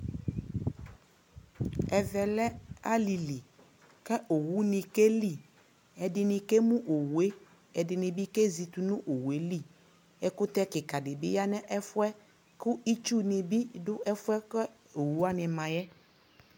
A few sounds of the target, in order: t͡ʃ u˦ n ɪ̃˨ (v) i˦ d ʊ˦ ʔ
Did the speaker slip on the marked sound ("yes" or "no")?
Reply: yes